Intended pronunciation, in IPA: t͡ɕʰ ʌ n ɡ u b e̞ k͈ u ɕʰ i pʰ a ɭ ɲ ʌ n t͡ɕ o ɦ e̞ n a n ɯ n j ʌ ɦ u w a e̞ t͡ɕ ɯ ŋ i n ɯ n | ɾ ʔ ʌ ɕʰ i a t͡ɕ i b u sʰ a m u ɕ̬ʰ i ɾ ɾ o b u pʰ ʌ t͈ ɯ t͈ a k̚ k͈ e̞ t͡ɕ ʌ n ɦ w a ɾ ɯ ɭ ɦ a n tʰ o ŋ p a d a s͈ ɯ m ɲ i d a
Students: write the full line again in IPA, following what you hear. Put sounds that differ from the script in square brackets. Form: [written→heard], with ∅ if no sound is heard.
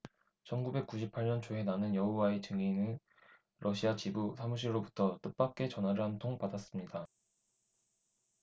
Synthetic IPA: t͡ɕʰ ʌ n ɡ u b e̞ k͈ u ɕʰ i pʰ a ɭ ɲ ʌ n t͡ɕ o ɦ e̞ n a n ɯ n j ʌ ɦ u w a e̞ t͡ɕ ɯ ŋ i n ɯ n | ɾ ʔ ʌ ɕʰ i a t͡ɕ i b u sʰ a m u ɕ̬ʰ i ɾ ɾ o b u [pʰ→tʰ] ʌ t͈ ɯ [t͈→p͈] a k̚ k͈ e̞ t͡ɕ ʌ n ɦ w a ɾ ɯ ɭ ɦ a n tʰ o ŋ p a d a s͈ ɯ m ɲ i d a